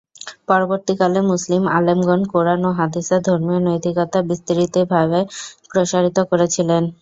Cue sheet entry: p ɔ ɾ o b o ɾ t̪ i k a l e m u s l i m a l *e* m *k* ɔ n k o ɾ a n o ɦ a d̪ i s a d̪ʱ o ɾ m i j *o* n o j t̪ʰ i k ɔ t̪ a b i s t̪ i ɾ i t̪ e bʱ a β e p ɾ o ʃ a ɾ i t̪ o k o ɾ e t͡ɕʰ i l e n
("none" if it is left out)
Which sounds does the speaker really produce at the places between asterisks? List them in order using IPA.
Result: e, ɡ, o

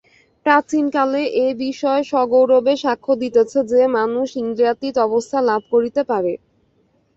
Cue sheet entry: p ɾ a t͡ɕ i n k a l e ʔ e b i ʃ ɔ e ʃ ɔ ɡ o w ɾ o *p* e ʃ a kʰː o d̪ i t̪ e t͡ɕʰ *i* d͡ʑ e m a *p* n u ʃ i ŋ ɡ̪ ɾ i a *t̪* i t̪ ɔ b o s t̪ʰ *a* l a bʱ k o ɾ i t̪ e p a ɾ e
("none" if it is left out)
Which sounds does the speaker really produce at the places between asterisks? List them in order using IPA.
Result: b, e, none, t̪, a

